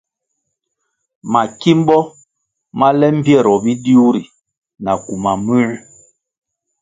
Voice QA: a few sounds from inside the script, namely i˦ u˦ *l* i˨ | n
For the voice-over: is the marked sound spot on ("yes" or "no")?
no